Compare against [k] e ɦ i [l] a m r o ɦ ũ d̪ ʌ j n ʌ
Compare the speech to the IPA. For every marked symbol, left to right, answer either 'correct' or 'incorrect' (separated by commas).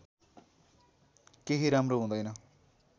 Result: correct, incorrect